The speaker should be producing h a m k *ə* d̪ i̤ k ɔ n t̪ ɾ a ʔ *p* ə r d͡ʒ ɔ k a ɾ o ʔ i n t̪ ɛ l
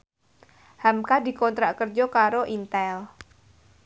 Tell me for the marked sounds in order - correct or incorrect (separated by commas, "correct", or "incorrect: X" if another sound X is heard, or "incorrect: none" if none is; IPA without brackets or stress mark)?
incorrect: a, incorrect: k